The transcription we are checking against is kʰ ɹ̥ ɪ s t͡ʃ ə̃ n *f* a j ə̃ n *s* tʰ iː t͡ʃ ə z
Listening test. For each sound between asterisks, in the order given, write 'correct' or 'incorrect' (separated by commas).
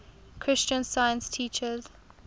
incorrect, correct